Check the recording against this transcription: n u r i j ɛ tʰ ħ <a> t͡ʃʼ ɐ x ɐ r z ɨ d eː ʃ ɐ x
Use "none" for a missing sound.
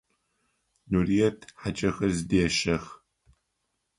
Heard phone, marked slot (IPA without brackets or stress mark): a